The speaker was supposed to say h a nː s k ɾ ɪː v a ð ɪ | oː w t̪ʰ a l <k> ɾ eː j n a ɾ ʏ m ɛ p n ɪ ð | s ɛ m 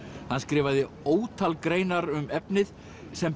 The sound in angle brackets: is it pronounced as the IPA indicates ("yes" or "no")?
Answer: yes